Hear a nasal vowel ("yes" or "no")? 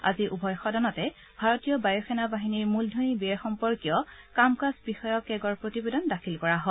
no